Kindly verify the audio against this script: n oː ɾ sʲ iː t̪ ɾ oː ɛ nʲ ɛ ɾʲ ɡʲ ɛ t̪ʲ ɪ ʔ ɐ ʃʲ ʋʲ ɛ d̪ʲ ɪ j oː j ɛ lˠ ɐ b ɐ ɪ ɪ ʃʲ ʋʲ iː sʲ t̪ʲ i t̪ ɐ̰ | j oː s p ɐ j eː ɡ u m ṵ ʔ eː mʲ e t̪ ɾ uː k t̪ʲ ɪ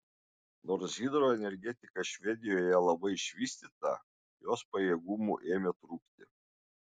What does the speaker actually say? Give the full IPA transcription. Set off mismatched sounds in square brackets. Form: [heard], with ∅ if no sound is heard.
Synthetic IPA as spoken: n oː ɾ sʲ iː [d̪] ɾ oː ɛ nʲ ɛ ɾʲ ɡʲ ɛ t̪ʲ ɪ [k] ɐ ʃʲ ʋʲ ɛ d̪ʲ ɪ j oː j ɛ lˠ ɐ b ɐ ɪ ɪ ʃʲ ʋʲ iː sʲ t̪ʲ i t̪ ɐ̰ | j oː s p ɐ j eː ɡ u m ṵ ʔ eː mʲ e t̪ ɾ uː k t̪ʲ ɪ